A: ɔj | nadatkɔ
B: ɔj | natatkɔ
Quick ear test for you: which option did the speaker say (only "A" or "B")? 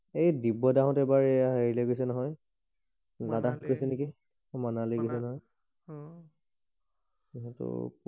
A